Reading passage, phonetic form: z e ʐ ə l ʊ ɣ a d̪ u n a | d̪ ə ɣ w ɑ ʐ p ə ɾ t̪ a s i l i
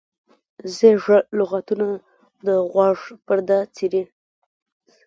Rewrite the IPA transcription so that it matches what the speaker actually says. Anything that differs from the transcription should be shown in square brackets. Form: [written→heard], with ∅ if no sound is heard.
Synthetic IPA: z e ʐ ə l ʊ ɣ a [d̪→t̪] u n a | d̪ ə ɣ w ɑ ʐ p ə ɾ [t̪→d̪] a [s→t͡s] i [l→ɾ] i